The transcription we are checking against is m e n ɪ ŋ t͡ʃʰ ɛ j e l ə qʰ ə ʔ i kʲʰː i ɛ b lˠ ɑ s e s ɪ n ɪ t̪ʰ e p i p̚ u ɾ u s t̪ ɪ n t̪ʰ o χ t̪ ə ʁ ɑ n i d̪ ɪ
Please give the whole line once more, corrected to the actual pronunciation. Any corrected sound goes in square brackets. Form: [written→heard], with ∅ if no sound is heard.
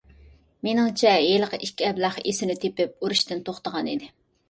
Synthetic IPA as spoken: m e n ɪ ŋ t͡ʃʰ ɛ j e l ə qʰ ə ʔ i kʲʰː i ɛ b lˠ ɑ [s→χ] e s ɪ n ɪ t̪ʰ e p [i→ɪ] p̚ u ɾ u [s→ʃ] t̪ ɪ n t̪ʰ o χ t̪ ə ʁ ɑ n i d̪ ɪ